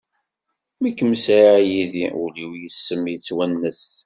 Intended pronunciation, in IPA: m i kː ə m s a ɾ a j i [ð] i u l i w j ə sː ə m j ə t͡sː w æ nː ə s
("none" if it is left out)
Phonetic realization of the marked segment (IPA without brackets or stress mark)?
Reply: ð